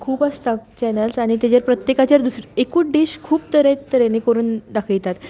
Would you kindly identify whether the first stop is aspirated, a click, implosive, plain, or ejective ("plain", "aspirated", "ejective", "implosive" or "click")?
aspirated